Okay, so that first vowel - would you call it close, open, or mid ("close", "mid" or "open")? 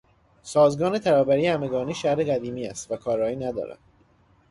open